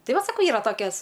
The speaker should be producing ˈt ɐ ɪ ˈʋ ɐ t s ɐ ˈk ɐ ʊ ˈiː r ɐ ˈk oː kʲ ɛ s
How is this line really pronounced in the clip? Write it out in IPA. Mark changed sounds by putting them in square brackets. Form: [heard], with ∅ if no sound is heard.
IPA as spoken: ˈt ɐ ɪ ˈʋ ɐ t s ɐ ˈk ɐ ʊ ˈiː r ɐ [ˈt] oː kʲ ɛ s